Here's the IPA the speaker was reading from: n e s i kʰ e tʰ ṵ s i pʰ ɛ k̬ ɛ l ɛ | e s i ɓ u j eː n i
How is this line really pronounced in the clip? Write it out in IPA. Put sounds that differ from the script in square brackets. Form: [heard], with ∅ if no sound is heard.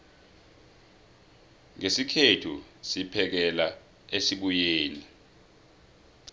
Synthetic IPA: [ŋ] e s i kʰ e tʰ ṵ s i pʰ ɛ k̬ ɛ l [a] | e s i ɓ u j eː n i